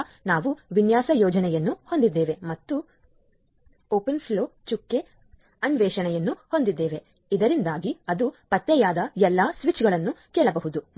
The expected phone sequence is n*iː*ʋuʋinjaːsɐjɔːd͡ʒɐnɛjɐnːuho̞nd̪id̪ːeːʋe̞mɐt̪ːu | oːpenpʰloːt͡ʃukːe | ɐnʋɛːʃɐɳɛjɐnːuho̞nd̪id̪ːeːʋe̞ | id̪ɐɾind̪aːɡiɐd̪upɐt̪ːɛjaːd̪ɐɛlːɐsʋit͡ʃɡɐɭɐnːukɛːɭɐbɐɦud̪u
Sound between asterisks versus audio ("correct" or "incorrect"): incorrect